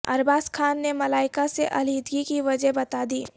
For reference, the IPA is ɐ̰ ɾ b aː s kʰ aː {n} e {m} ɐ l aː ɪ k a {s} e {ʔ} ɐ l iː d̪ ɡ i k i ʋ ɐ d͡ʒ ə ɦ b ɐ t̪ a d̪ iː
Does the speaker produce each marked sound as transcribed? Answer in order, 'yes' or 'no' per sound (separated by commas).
no, yes, yes, yes